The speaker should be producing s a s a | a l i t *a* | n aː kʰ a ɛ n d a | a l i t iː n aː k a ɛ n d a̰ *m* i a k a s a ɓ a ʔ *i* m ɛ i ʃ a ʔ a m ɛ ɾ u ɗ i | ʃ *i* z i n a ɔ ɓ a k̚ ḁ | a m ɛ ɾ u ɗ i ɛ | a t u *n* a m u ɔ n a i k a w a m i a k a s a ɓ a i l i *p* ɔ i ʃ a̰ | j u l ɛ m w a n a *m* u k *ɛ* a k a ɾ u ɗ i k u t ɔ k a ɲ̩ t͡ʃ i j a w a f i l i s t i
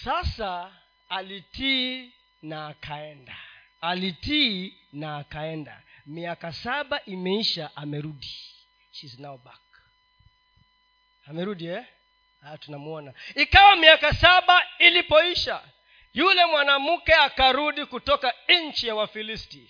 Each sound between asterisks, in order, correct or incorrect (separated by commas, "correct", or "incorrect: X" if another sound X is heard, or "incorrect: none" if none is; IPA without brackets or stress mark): incorrect: i, correct, correct, correct, correct, correct, correct, correct